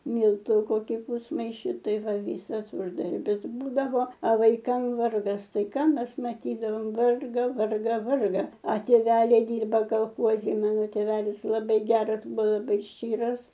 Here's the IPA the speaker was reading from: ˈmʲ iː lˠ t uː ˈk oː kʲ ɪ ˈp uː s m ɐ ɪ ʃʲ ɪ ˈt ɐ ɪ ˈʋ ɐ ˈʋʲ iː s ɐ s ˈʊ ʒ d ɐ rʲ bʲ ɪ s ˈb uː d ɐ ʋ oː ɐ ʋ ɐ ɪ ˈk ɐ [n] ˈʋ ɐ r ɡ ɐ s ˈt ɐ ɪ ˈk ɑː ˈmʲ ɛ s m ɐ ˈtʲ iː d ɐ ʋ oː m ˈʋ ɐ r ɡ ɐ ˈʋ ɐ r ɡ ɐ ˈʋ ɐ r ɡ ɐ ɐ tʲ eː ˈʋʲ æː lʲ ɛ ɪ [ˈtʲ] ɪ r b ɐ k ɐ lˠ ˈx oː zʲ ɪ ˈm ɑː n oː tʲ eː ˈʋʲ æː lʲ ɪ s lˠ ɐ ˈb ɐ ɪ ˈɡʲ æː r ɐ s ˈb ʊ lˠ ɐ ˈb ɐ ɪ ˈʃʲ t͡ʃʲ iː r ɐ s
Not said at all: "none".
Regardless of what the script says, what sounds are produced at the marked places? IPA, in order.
m, dʲ

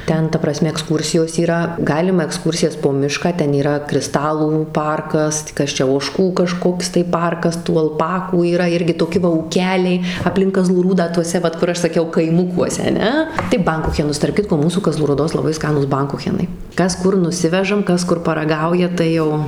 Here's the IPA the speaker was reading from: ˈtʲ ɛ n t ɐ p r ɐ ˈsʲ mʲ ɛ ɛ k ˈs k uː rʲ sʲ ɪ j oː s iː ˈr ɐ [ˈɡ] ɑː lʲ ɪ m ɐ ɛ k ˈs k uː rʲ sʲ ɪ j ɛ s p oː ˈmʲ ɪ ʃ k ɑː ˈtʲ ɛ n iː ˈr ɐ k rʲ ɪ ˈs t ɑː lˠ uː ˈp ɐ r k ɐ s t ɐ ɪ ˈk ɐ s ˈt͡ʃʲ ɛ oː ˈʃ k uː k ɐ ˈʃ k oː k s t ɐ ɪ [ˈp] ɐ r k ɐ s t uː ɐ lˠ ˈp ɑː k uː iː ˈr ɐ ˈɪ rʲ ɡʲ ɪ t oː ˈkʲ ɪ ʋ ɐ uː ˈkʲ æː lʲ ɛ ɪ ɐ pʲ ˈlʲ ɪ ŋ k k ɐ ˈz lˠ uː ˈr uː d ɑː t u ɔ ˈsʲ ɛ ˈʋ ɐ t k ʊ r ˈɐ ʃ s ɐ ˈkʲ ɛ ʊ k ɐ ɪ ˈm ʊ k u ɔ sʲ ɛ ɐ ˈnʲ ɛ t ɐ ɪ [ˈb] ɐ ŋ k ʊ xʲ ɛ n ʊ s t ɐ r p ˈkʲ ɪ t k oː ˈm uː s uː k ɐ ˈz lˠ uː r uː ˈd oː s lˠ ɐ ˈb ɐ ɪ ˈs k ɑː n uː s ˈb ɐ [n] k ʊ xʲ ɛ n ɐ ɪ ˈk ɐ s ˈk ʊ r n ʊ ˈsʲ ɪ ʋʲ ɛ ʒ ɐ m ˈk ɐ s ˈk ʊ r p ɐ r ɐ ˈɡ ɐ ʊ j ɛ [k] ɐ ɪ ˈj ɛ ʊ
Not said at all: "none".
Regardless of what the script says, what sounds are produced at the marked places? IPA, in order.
ɡ, p, b, ŋ, t

